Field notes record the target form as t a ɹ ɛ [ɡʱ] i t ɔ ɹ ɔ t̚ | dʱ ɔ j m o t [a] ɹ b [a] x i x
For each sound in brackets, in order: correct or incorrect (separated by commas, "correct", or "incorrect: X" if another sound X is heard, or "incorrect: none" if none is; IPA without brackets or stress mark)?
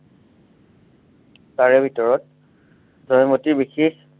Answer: incorrect: bʱ, incorrect: i, incorrect: i